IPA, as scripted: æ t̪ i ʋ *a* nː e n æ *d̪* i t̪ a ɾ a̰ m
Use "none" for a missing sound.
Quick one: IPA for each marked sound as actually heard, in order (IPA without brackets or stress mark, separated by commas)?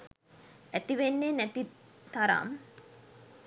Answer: e, t̪